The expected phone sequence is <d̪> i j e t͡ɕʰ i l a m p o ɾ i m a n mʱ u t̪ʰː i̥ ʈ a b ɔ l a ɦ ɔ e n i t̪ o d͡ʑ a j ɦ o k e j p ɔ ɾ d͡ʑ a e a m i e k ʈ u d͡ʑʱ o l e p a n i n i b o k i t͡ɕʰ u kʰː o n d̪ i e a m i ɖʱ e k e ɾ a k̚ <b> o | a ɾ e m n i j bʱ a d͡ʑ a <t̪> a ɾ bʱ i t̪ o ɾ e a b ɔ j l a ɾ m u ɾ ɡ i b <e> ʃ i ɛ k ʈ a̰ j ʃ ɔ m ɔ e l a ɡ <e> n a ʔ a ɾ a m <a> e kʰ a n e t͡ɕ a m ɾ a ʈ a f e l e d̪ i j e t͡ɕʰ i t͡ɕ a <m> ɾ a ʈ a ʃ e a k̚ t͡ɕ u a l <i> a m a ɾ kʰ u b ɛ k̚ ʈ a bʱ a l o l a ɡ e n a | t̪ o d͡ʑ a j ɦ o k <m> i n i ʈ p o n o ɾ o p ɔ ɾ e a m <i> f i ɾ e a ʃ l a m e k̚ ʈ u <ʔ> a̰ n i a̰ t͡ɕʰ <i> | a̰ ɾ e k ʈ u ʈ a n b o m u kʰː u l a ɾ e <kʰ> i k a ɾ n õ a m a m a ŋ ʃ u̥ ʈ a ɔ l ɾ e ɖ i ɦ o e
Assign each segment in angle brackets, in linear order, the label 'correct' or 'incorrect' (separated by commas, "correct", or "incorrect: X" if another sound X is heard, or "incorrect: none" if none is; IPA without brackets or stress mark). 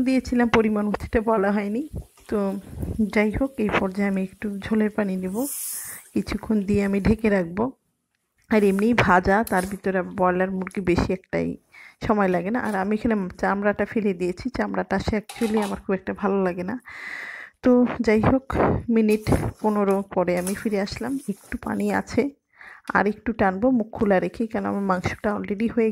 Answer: correct, correct, correct, correct, correct, incorrect: i, correct, correct, correct, correct, incorrect: p, incorrect: e, correct